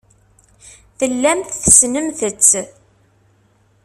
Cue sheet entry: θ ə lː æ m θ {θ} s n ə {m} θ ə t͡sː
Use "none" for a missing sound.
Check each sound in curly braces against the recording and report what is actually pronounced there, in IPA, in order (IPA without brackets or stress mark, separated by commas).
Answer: θ, m